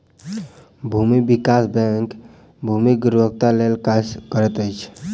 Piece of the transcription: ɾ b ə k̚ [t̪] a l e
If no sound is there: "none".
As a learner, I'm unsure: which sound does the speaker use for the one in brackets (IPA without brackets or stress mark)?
t̪